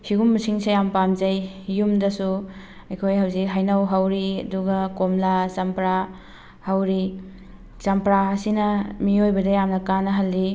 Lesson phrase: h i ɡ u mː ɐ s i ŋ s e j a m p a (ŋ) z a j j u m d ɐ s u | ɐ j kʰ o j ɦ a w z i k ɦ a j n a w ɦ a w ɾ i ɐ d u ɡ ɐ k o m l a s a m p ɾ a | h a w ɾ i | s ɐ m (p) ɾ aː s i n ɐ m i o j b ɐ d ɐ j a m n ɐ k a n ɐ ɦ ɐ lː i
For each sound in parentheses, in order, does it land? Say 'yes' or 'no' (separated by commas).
no, yes